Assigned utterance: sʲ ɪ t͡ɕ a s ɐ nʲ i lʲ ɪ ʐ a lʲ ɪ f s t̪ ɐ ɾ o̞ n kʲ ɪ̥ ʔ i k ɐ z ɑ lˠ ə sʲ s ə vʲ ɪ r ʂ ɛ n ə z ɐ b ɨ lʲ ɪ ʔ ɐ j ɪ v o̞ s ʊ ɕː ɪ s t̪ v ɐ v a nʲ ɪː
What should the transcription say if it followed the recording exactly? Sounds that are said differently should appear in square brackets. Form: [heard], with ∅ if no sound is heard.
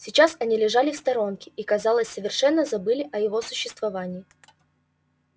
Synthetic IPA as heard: sʲ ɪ t͡ɕ a s ɐ nʲ i lʲ ɪ ʐ a lʲ ɪ f s t̪ ɐ ɾ o̞ n kʲ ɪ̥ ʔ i k ɐ z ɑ lˠ ə sʲ s ə vʲ ɪ r ʂ ɛ [nː] ə z ɐ b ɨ lʲ ɪ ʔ ɐ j ɪ v o̞ s ʊ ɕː ɪ s t̪ v ɐ v a nʲ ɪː